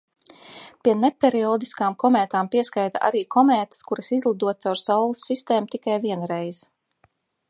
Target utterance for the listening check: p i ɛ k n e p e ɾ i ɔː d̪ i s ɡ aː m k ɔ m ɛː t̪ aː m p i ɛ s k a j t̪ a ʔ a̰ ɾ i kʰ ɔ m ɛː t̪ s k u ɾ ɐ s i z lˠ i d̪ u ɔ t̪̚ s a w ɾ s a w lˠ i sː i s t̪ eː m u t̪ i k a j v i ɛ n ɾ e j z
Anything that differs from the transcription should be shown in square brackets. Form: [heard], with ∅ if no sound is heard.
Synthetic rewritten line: p i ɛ [∅] n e p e ɾ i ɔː d̪ i s [k] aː m k ɔ m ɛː t̪ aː m p i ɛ s k a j t̪ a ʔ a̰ ɾ [iː] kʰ ɔ m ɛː t̪ s k u ɾ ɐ s i z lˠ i d̪ u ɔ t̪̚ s a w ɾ s a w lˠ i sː i s t̪ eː m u t̪ i k a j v i ɛ n ɾ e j z